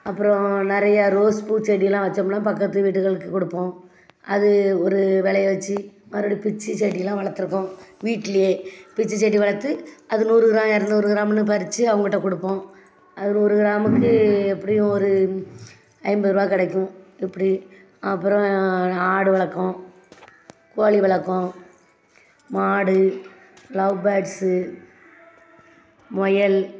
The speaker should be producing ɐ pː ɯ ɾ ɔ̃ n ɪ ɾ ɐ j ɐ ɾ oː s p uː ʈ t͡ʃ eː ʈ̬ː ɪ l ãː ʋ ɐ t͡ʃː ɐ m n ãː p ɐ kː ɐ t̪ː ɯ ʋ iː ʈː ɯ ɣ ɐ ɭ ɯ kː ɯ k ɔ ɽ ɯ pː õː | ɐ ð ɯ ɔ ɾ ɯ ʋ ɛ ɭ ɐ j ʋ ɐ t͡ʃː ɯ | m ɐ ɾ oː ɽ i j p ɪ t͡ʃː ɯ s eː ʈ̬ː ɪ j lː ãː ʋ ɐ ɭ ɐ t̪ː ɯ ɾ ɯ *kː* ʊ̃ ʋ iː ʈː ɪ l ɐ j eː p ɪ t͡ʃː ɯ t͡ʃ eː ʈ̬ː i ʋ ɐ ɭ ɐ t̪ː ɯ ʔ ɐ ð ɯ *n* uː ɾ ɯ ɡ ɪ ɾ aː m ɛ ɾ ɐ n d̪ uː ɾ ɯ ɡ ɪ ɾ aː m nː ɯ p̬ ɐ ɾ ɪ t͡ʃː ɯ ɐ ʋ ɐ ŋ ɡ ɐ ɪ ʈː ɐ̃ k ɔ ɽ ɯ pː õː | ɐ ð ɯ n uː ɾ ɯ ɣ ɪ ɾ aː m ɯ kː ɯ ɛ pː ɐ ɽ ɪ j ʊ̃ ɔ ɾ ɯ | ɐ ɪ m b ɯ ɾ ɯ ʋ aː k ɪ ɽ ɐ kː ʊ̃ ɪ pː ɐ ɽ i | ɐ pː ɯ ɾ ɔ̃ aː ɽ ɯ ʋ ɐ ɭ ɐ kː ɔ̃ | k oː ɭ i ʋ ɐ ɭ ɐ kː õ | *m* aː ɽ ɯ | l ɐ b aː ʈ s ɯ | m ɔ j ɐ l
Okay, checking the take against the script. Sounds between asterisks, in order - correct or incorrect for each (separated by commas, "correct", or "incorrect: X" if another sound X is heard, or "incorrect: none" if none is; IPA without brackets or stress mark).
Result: correct, correct, correct